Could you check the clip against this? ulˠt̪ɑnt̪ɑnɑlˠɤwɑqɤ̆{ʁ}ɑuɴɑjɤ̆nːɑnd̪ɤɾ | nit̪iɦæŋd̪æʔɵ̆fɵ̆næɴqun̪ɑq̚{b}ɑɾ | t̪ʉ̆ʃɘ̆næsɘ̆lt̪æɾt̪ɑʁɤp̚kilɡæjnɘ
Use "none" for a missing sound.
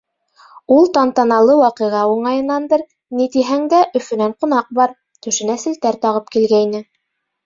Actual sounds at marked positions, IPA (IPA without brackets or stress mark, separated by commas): ʁ, b